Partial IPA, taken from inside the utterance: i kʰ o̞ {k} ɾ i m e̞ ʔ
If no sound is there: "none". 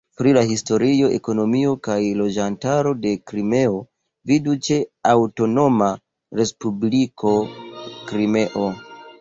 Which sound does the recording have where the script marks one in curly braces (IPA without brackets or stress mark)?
k